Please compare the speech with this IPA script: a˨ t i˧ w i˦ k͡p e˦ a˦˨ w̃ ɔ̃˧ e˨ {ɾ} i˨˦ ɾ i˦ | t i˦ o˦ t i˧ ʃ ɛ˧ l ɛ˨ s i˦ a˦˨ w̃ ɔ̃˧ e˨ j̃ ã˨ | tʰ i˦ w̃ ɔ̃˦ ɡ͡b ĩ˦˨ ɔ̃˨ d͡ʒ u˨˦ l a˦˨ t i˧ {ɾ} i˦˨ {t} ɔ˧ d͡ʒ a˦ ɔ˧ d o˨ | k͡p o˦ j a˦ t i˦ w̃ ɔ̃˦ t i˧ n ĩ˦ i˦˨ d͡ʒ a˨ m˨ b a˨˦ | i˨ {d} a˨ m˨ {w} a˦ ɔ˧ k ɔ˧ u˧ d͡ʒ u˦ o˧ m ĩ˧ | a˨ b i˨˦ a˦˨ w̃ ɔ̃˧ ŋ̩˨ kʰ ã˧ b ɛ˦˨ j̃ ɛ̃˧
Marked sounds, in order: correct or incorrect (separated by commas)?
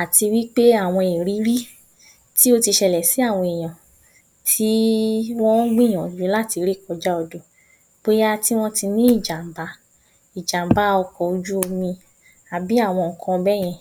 correct, correct, incorrect, incorrect, incorrect